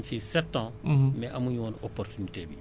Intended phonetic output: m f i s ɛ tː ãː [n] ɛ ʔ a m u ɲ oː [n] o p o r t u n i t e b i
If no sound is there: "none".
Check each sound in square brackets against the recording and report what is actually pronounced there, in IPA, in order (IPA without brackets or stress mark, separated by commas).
m, n